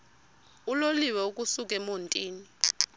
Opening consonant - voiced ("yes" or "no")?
yes